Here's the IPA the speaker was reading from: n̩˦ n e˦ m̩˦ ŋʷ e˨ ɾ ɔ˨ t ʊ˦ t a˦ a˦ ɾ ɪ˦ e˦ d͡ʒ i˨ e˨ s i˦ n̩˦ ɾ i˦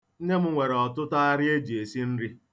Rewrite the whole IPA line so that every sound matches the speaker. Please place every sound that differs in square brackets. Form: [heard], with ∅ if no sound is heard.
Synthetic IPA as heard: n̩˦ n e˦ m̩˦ ŋʷ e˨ ɾ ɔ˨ t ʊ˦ t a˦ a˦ ɾ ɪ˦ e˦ d͡ʒ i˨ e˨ s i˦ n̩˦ ɾ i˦

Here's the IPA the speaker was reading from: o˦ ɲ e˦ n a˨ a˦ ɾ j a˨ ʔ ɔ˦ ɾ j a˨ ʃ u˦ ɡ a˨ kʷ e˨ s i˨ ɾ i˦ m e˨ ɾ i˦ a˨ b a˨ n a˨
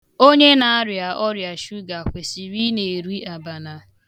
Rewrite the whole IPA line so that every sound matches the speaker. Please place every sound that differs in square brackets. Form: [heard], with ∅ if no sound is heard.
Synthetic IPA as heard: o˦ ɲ e˦ n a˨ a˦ ɾ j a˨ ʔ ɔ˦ ɾ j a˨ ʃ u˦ ɡ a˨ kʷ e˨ s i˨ ɾ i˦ [n] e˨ ɾ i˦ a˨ b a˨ n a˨

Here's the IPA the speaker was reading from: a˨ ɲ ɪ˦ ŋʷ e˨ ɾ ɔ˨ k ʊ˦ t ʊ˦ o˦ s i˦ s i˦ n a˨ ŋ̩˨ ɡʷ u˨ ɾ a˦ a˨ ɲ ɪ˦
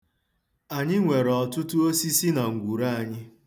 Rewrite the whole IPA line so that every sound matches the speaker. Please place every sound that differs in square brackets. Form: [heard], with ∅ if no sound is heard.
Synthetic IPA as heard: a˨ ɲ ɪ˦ ŋʷ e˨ ɾ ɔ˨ [t] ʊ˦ t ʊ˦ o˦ s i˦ s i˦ n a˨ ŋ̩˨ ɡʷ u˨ ɾ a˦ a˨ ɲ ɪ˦

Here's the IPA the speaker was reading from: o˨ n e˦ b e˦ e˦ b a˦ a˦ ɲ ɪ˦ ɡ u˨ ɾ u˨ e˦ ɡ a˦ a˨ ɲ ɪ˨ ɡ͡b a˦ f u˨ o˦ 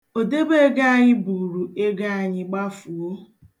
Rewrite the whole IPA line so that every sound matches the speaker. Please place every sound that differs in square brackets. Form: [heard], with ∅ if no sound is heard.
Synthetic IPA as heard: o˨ [d] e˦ b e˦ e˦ [ɡ] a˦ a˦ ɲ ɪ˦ [b] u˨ ɾ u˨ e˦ ɡ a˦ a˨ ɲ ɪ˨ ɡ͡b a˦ f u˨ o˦

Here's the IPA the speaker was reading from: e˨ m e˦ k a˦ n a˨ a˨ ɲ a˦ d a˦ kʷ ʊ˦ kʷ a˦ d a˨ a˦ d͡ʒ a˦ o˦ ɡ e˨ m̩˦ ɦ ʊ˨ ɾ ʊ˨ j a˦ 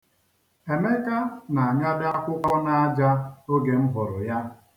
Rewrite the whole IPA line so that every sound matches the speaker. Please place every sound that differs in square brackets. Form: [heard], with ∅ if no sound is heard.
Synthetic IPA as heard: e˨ m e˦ k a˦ n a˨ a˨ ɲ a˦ d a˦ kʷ ʊ˦ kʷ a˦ [n] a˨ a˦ d͡ʒ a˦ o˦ ɡ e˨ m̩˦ ɦ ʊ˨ ɾ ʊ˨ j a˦

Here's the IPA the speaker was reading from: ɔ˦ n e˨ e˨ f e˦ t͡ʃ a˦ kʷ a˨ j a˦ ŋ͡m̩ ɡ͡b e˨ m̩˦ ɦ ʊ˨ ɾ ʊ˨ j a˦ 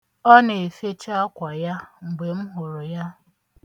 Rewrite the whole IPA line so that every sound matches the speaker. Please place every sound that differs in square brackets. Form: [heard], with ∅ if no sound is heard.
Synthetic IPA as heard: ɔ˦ n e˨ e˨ f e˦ t͡ʃ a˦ kʷ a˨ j a˦ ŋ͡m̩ ɡ͡b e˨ m̩˦ ɦ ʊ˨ ɾ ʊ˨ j a˦

